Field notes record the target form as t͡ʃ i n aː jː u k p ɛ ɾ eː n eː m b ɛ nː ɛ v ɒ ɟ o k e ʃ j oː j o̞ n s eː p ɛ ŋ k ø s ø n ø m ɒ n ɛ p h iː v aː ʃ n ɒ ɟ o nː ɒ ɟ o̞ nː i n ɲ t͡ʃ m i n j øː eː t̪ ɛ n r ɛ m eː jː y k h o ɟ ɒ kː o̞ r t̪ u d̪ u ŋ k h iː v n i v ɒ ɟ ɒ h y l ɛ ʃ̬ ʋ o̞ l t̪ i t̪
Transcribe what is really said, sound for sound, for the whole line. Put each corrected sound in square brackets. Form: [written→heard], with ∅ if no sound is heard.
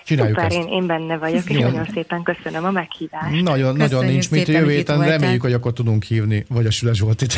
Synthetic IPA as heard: t͡ʃ i n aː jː u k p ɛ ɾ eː n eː m b ɛ nː ɛ v ɒ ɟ o k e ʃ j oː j o̞ n s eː p ɛ ŋ k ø s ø n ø m ɒ [n→m] ɛ [p→k] h iː v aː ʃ n ɒ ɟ o nː ɒ ɟ o̞ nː i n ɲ t͡ʃ m i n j øː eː t̪ ɛ n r ɛ m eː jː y k h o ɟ ɒ kː o̞ r t̪ u d̪ u ŋ k h iː v n i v ɒ ɟ ɒ [h→ʃ] y l ɛ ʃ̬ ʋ o̞ l t̪ i t̪